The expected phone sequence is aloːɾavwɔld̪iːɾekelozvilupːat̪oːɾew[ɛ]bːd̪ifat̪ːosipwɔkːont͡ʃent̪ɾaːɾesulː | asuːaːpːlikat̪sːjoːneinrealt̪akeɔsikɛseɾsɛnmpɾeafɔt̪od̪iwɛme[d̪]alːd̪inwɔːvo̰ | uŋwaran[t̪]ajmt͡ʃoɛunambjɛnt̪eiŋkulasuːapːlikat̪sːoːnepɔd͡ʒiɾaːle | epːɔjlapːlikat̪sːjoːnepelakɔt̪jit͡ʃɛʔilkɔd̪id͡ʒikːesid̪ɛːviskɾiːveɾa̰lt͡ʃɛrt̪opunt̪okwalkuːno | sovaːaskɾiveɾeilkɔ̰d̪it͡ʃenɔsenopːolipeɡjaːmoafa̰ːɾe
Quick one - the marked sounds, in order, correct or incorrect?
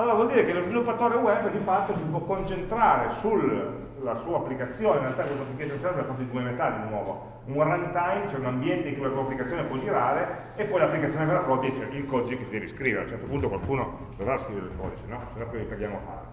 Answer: correct, incorrect, correct

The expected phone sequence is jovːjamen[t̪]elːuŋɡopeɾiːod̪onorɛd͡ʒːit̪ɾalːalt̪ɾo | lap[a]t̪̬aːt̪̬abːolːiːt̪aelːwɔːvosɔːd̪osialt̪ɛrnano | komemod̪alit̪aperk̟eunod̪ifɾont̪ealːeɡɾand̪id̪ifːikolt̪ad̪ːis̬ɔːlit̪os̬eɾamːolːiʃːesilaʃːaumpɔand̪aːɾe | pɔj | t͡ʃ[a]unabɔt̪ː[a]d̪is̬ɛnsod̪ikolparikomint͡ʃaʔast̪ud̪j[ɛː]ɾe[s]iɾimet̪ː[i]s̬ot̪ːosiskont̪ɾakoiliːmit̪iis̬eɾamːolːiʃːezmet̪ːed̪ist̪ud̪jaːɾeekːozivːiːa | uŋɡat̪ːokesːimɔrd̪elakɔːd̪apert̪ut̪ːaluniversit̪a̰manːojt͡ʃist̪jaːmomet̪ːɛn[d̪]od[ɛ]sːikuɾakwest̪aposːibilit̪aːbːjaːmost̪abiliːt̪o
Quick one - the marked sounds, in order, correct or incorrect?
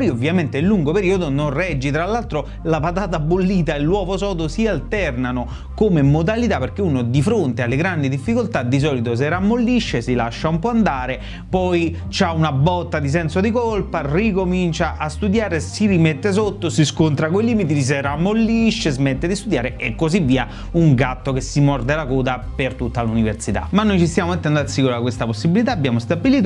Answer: correct, correct, correct, correct, incorrect, correct, incorrect, correct, incorrect

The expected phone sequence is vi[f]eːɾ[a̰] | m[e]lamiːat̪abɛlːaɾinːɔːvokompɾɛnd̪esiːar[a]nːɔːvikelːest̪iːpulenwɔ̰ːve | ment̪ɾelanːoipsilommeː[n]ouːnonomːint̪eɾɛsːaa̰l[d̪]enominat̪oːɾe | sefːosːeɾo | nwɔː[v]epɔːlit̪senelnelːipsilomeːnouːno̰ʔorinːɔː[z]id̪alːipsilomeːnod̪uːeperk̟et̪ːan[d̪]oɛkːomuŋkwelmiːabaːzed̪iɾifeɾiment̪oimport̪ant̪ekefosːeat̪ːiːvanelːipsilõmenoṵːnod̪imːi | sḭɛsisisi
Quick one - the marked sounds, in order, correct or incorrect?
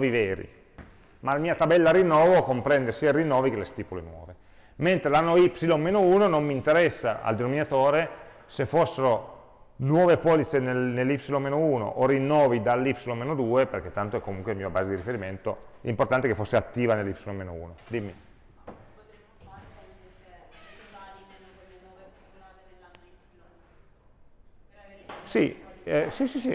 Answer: incorrect, incorrect, incorrect, incorrect, correct, correct, correct, incorrect, incorrect

